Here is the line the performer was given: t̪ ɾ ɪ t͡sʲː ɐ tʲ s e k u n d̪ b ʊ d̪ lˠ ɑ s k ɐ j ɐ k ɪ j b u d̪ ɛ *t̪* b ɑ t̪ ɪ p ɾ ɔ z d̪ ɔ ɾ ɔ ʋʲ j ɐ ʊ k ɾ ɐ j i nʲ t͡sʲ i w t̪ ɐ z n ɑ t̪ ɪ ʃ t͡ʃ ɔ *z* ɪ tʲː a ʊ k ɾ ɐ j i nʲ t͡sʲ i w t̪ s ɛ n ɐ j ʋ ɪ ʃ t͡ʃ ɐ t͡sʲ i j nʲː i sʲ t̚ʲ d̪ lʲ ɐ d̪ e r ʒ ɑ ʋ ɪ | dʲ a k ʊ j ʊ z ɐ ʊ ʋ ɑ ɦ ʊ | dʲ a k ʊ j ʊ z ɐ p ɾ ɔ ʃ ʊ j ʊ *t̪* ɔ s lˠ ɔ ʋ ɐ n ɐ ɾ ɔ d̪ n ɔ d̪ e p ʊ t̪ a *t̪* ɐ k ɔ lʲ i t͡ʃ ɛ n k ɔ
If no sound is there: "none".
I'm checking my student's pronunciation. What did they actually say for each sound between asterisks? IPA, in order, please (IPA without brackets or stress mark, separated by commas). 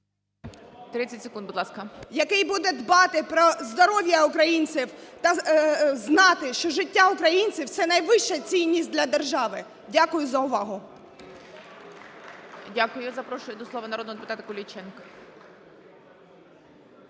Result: d̪, ʒ, d̪, t̪